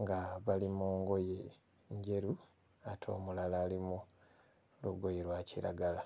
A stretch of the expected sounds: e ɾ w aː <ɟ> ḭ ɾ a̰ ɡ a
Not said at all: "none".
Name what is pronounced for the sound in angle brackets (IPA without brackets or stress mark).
c